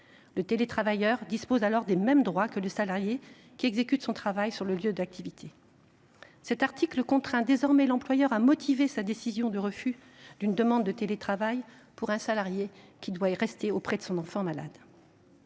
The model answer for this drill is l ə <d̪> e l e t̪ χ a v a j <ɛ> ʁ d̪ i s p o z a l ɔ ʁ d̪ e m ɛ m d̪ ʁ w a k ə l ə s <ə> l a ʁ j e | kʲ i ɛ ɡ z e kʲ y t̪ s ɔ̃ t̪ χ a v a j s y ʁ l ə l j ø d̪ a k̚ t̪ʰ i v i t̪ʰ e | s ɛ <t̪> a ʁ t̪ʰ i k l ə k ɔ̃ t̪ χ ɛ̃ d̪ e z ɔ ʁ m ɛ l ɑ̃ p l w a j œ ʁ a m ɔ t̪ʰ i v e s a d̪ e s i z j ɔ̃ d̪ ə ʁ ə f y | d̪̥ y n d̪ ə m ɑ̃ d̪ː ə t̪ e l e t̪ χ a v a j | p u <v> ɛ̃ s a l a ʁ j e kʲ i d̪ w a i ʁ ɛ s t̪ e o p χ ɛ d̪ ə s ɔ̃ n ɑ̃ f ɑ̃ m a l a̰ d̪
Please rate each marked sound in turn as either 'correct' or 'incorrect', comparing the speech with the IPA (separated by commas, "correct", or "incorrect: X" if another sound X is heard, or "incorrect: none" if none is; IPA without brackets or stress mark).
incorrect: t̪, incorrect: œ, incorrect: a, correct, incorrect: ʁ